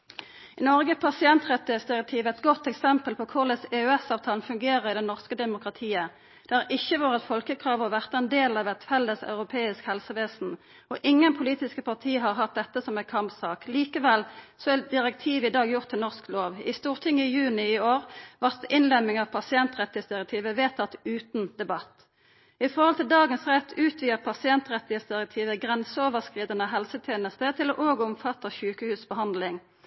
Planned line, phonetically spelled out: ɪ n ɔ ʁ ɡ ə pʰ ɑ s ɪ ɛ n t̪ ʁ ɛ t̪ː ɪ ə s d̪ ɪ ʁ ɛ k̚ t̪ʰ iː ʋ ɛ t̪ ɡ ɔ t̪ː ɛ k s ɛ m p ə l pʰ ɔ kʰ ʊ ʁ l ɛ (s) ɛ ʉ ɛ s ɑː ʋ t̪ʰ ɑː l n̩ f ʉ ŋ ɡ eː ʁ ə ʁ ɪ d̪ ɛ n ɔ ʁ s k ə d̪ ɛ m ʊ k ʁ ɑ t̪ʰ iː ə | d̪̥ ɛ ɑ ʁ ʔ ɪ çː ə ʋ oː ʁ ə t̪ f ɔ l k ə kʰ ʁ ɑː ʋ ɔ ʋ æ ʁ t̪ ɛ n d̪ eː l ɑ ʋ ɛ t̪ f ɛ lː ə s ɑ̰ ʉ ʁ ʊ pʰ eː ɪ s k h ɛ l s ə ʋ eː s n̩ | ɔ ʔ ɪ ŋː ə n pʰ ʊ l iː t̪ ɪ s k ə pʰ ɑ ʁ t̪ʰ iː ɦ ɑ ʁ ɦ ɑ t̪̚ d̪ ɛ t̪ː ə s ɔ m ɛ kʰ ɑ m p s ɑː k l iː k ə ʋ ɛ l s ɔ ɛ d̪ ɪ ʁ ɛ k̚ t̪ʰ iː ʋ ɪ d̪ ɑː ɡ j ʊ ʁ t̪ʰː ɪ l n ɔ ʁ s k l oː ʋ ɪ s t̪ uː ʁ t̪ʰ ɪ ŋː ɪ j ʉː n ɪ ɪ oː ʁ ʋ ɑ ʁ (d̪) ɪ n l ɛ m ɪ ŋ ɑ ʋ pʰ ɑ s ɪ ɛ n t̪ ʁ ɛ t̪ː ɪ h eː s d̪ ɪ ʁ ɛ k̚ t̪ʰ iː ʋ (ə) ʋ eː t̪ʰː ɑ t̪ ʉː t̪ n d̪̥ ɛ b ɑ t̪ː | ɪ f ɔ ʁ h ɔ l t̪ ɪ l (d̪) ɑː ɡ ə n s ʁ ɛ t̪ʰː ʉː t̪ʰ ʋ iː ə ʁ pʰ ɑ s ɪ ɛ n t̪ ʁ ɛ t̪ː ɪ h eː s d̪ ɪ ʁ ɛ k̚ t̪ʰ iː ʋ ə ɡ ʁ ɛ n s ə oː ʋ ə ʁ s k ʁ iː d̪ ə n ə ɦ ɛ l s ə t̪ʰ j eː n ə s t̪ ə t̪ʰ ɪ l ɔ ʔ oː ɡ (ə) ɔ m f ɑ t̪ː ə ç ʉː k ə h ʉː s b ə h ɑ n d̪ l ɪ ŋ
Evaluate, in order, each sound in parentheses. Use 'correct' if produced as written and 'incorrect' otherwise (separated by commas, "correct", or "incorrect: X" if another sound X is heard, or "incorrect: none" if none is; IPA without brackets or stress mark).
correct, incorrect: t̪, correct, correct, correct